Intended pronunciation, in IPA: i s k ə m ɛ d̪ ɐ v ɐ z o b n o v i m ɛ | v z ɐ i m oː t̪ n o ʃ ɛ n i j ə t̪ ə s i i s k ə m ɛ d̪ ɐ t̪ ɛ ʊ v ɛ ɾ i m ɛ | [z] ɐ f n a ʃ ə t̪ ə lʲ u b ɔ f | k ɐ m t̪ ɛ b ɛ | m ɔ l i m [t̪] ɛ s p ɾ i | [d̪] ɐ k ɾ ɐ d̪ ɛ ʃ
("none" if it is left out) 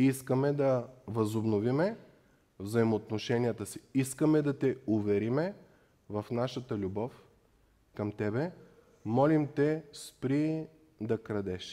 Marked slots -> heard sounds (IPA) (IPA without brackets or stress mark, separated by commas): v, t̪, d̪